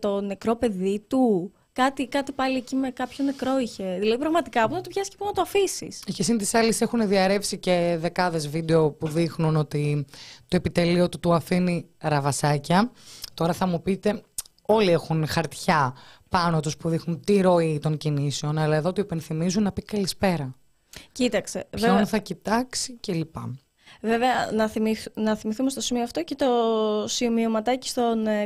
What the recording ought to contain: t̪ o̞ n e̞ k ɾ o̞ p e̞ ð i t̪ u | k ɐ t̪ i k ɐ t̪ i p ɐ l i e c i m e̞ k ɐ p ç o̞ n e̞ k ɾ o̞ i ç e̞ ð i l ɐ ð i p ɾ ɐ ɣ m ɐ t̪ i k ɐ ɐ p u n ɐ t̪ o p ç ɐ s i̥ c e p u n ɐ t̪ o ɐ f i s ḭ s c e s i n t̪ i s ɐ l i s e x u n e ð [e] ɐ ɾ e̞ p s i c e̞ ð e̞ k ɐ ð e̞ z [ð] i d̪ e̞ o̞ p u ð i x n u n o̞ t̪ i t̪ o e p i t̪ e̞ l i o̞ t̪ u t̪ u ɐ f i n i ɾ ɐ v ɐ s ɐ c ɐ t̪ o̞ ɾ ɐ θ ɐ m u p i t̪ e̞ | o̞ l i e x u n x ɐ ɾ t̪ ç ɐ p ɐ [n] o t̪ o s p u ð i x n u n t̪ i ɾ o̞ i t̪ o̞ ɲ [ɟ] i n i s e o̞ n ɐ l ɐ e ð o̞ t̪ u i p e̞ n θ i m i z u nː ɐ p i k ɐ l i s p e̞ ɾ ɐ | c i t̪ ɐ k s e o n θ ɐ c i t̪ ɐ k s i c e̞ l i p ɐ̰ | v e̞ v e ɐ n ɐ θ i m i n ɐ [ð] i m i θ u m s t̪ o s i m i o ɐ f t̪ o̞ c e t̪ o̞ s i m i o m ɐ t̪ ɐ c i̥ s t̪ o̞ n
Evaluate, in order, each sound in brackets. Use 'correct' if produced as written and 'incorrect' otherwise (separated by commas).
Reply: incorrect, incorrect, correct, incorrect, incorrect